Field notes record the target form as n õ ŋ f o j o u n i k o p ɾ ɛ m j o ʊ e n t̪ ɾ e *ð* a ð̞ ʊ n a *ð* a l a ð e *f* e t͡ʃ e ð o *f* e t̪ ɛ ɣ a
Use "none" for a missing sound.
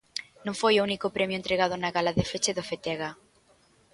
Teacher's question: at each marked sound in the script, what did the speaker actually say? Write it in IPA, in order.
ɣ, ɣ, f, f

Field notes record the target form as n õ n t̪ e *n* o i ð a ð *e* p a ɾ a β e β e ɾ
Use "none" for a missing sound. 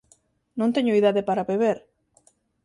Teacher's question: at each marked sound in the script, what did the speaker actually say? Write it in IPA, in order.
ɲ, e

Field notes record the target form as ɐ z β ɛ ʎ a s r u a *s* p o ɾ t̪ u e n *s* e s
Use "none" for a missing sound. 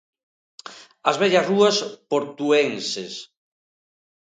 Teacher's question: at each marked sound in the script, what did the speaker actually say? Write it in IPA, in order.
s, s

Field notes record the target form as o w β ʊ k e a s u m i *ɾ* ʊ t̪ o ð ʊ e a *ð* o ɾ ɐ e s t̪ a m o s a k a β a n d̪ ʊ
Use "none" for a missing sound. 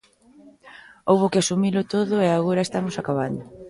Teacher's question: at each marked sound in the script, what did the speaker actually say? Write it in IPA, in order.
l, ɣ

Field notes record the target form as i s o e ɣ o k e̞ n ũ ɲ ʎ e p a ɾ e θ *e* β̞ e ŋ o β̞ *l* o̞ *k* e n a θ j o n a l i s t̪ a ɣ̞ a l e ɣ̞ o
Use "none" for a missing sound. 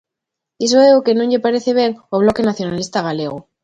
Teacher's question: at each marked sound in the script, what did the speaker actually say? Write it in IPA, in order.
e, l, k

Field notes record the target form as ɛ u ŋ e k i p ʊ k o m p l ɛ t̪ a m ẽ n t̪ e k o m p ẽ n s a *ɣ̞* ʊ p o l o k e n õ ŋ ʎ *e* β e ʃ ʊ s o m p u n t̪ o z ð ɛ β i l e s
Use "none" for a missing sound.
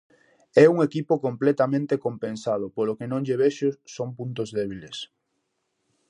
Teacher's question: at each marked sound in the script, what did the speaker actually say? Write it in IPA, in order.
ð̞, e

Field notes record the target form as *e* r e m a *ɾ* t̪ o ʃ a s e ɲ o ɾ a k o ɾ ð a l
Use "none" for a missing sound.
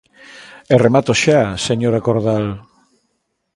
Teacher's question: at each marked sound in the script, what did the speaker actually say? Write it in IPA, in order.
e, none

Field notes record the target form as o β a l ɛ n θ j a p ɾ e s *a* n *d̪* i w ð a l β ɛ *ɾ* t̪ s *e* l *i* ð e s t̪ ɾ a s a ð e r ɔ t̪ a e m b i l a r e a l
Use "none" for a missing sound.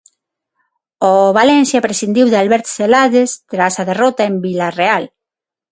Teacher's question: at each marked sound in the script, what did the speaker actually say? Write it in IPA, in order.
i, d̪, ɾ, e, a

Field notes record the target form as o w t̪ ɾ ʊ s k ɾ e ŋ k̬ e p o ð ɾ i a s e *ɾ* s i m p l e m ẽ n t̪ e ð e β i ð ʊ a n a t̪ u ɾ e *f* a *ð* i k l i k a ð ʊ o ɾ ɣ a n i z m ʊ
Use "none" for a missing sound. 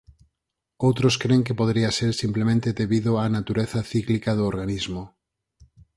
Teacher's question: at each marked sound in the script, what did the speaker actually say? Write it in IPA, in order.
ɾ, θ, θ

